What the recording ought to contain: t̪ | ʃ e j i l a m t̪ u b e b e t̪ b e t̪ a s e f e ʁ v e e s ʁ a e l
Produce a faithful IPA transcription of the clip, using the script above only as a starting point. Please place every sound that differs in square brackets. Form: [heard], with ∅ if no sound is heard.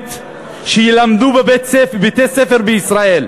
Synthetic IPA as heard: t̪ | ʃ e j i l a m [d̪] u b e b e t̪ b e t̪ [e] s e f e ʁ [b] e [i] s ʁ a e l